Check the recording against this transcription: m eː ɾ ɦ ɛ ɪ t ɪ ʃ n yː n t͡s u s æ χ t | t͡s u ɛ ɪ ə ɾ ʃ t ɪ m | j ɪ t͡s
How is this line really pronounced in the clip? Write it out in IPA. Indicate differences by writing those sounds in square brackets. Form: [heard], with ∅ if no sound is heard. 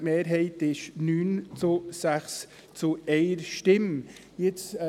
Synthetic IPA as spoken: m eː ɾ ɦ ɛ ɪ t ɪ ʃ n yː n t͡s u s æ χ [s] | t͡s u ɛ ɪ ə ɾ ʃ t ɪ m | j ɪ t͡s